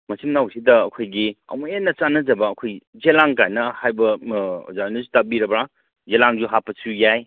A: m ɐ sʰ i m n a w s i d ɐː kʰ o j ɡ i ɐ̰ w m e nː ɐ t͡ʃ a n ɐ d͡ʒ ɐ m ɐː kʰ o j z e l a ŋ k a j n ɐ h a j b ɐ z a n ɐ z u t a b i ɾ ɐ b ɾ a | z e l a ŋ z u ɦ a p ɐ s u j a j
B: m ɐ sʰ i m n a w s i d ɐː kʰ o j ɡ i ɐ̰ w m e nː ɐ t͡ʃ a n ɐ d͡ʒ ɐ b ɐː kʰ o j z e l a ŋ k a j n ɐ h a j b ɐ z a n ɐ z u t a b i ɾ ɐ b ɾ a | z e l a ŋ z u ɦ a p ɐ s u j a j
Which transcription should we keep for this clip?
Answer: B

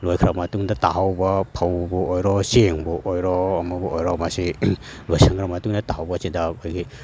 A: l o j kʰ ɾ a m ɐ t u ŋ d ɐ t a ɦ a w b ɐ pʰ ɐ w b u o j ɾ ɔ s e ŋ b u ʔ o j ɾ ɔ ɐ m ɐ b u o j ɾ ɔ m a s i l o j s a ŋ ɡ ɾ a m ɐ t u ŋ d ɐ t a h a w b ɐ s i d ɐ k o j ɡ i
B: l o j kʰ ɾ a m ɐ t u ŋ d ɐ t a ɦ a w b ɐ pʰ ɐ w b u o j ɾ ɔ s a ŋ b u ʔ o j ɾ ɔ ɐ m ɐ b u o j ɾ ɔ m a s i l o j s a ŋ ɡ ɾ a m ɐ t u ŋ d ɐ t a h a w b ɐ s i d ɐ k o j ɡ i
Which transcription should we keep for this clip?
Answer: A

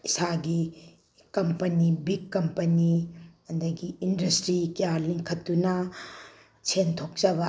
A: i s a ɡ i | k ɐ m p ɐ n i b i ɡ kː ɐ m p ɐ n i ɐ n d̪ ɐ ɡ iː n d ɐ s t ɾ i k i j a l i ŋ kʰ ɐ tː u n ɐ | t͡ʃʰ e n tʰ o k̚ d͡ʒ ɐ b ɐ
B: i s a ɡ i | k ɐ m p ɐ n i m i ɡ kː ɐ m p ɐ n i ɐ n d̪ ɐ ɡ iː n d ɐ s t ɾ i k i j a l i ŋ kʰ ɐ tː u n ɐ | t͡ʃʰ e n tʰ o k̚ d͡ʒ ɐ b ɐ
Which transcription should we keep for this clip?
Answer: A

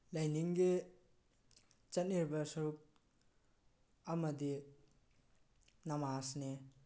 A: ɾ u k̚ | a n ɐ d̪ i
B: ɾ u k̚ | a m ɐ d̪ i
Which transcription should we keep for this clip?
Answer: B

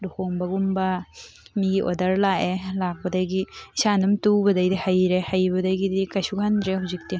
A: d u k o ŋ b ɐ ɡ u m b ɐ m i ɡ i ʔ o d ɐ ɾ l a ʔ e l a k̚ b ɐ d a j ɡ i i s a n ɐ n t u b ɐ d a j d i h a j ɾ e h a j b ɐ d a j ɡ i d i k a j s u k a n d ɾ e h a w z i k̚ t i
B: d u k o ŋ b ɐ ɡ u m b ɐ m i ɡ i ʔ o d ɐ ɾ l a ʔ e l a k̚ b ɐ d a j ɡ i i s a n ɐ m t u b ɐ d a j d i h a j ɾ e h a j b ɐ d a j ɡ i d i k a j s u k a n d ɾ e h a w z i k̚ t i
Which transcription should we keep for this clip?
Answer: B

